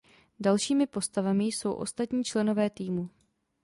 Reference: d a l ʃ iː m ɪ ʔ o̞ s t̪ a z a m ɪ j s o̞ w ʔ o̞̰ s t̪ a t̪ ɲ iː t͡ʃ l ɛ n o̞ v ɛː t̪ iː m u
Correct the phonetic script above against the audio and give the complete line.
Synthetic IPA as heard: d a l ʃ iː m ɪ p o̞ s t̪ a v a m ɪ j s o̞ w ʔ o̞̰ s t̪ a t̪ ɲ iː t͡ʃ l ɛ n o̞ v ɛː t̪ iː m u